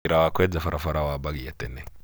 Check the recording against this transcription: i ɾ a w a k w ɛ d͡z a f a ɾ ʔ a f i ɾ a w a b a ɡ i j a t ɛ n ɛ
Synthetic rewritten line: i ɾ a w a k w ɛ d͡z a f a ɾ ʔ a f a ɾ a w a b a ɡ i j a t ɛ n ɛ